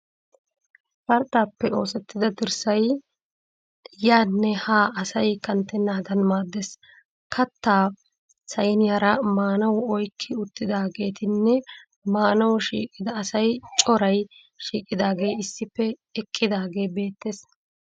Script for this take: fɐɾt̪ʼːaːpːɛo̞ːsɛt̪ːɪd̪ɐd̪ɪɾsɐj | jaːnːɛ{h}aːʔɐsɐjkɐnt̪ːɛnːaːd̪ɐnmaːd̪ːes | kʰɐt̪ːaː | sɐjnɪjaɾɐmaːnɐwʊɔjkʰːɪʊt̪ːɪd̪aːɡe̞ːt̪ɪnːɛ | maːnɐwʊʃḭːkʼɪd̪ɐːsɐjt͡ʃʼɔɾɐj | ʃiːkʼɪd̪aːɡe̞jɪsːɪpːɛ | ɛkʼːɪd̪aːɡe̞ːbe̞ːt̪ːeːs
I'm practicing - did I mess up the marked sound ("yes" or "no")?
no